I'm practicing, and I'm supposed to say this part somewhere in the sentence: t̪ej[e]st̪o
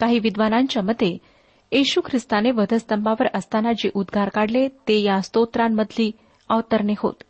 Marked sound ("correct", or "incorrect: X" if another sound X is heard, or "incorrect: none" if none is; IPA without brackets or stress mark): incorrect: a